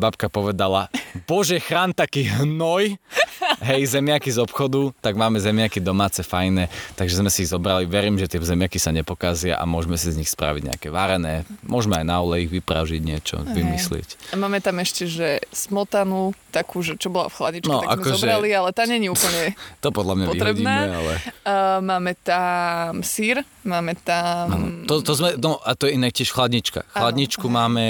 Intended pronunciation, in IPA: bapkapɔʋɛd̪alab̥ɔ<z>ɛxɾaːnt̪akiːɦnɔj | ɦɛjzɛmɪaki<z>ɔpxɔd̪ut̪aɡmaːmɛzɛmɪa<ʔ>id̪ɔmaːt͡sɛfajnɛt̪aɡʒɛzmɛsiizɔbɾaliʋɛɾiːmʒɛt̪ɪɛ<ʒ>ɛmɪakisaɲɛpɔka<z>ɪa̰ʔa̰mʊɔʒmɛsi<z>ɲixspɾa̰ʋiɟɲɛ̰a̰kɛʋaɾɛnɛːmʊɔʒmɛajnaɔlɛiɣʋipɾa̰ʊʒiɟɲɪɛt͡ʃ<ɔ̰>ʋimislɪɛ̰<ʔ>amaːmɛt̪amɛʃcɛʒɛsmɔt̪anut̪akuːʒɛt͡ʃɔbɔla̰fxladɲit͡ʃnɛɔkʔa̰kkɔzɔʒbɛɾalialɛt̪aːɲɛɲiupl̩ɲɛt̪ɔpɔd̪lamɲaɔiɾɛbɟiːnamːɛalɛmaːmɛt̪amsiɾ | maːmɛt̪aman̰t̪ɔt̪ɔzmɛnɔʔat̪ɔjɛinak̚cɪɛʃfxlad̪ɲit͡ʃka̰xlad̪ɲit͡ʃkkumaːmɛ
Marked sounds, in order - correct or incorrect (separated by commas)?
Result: incorrect, correct, incorrect, incorrect, correct, correct, correct, incorrect